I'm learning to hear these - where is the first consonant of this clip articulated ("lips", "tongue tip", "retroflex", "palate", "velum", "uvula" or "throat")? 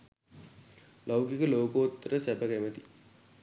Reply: tongue tip